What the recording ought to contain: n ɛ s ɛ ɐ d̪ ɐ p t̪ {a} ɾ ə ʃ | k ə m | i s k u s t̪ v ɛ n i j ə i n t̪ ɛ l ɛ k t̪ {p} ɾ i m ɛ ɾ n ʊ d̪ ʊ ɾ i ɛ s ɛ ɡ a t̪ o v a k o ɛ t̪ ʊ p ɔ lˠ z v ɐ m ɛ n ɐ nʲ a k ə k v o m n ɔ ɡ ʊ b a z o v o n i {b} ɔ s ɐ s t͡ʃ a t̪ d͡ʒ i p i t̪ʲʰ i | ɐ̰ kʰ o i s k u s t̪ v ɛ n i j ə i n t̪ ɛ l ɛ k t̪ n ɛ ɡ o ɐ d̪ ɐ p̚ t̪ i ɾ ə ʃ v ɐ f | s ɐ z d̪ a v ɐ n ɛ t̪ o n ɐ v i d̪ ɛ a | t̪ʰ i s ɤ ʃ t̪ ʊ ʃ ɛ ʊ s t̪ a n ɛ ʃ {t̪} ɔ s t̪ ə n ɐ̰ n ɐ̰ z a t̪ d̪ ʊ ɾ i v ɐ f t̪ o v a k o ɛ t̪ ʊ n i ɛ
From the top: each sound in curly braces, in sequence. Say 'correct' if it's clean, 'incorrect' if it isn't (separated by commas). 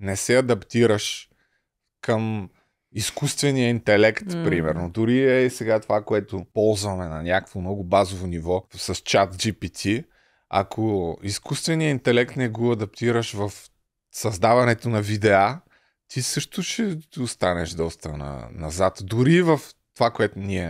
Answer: incorrect, correct, incorrect, incorrect